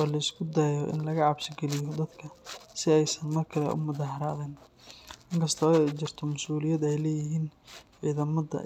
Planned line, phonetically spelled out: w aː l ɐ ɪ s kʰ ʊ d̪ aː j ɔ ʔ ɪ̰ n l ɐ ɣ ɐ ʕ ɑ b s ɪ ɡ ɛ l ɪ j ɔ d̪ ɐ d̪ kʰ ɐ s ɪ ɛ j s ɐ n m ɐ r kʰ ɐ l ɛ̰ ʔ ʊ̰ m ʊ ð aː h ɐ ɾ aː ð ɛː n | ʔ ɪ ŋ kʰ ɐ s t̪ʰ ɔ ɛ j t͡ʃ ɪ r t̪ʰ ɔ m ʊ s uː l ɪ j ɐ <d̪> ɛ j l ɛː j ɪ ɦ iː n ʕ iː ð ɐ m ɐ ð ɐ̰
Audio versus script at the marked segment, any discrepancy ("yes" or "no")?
no